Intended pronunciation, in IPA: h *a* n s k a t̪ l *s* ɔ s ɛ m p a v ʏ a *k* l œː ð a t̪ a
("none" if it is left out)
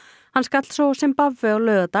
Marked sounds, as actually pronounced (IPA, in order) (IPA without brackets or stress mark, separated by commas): a, s, none